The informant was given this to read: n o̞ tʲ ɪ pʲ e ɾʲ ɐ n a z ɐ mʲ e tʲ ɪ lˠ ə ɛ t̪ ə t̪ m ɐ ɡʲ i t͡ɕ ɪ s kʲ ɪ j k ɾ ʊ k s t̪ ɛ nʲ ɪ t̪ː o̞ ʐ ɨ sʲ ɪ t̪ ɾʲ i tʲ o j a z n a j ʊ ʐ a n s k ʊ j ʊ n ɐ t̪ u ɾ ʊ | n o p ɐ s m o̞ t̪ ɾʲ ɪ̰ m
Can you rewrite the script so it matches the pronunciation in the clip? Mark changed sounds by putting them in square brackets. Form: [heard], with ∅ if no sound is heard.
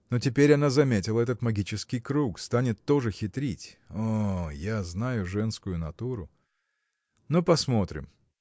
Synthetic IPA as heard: n o̞ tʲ ɪ pʲ e ɾʲ ɐ n a z ɐ mʲ e tʲ ɪ lˠ ə ɛ t̪ ə t̪ m ɐ ɡʲ i t͡ɕ ɪ s kʲ ɪ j k ɾ [u] k s t̪ [a] nʲ ɪ t̪ː o̞ ʐ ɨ [xʲ] ɪ t̪ ɾʲ i tʲ o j a z n a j ʊ ʐ [ɛ] n s k ʊ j ʊ n ɐ t̪ u ɾ ʊ | n o p ɐ s m o̞ t̪ ɾʲ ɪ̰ m

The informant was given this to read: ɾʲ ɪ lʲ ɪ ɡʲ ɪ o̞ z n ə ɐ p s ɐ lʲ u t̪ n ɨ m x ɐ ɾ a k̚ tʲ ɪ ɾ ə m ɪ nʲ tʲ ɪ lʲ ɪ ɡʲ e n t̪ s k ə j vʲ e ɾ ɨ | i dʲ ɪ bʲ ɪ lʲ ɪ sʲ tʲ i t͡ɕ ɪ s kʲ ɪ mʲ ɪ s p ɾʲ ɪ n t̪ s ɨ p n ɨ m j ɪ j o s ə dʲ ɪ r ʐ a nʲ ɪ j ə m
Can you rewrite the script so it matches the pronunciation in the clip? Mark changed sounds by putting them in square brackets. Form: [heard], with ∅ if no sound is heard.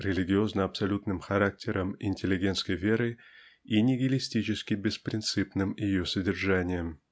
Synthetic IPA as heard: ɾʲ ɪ lʲ ɪ ɡʲ ɪ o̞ z n ə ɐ p s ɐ lʲ u t̪ n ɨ m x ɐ ɾ a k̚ tʲ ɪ ɾ ə m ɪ nʲ tʲ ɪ lʲ ɪ ɡʲ e n t̪ s k ə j vʲ e ɾ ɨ | i [nʲ] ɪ [ɡʲ] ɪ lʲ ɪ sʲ tʲ i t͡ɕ ɪ s kʲ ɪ [bʲ] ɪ s p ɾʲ ɪ n t̪ s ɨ p n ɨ m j ɪ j o s ə dʲ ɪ r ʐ a nʲ ɪ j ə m

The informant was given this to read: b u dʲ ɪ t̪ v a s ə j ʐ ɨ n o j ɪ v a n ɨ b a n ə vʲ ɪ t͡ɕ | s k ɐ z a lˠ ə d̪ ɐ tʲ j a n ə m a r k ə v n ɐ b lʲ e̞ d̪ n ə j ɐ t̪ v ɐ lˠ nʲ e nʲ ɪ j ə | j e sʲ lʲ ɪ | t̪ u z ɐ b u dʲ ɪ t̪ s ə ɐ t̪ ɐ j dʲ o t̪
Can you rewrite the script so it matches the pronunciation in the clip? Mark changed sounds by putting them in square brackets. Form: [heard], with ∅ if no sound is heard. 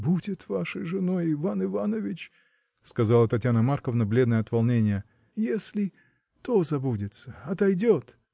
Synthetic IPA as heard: b u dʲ ɪ t̪ v a [ʂ] ə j ʐ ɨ n o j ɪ v a n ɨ [v] a n ə vʲ ɪ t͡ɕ | s k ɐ z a lˠ ə [t̪] ɐ tʲ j a n ə m a r k ə v n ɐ b lʲ e̞ d̪ n ə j ɐ t̪ v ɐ lˠ nʲ e nʲ ɪ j ə | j e sʲ lʲ ɪ | t̪ [o] z ɐ b u dʲ ɪ t̪ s ə ɐ t̪ ɐ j dʲ o t̪

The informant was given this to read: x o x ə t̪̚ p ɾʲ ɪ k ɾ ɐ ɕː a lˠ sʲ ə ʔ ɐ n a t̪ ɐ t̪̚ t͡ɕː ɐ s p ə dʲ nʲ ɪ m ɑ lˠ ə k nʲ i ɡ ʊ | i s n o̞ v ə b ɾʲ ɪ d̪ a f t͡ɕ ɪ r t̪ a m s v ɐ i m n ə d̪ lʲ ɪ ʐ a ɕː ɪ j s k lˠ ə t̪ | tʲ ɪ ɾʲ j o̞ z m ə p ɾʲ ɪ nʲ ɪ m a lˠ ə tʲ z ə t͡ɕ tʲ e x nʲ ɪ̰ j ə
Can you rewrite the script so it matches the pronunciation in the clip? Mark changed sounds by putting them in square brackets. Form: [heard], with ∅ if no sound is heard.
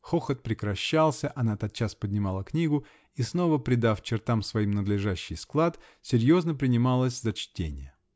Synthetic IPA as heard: x o x ə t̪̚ p ɾʲ ɪ k ɾ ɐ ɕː a lˠ sʲ ə ʔ ɐ n a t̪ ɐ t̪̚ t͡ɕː [a] s p ə dʲ nʲ ɪ m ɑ lˠ ə k nʲ i ɡ ʊ | i s n o̞ v ə [p] ɾʲ ɪ d̪ a f t͡ɕ ɪ r t̪ a m s v ɐ i m n ə d̪ lʲ ɪ ʐ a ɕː ɪ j s k lˠ [a] t̪ | [sʲ] ɪ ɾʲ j o̞ z [n] ə p ɾʲ ɪ nʲ ɪ m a lˠ ə [sʲ] z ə t͡ɕ tʲ e [∅] nʲ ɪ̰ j ə

